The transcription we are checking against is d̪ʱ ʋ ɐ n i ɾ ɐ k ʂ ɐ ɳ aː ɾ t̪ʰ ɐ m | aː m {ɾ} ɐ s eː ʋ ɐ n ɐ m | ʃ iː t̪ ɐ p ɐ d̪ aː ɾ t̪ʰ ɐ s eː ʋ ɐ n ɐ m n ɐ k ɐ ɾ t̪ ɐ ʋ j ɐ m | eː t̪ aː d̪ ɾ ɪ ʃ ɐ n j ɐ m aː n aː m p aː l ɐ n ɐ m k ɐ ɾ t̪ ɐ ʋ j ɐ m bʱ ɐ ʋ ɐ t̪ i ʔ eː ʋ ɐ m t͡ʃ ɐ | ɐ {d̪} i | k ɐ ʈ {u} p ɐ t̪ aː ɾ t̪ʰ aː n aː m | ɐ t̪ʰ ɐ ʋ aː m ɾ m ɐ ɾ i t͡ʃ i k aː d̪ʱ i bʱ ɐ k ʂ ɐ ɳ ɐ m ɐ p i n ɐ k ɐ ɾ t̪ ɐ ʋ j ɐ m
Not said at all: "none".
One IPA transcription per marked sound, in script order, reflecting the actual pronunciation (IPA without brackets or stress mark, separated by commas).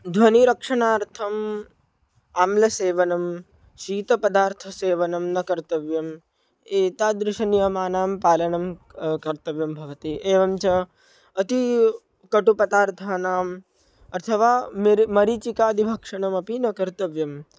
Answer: l, t̪, u